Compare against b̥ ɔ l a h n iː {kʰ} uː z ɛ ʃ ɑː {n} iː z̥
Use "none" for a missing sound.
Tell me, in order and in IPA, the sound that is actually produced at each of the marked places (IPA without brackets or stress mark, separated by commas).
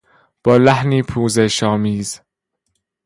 pʰ, m